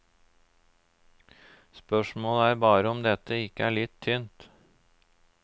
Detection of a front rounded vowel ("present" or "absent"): present